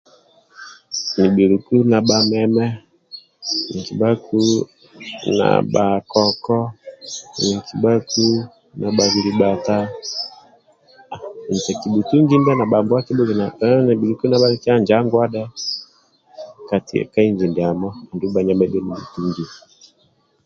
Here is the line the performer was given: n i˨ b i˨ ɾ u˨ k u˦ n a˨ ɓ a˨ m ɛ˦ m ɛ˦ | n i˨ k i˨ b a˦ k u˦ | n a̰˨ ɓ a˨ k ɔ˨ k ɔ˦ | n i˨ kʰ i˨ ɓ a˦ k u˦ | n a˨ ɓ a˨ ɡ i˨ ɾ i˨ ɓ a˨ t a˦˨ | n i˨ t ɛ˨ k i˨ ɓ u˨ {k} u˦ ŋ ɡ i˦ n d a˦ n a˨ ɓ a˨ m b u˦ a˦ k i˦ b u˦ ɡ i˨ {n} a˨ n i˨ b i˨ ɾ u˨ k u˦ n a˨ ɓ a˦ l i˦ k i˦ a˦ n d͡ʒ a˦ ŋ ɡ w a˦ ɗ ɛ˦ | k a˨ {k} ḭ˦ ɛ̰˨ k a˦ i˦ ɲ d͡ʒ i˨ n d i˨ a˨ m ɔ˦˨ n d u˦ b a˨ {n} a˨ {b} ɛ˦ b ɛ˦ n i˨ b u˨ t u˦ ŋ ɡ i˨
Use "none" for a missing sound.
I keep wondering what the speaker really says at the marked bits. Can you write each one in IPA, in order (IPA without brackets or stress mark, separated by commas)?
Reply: t, n, t, ɲ, m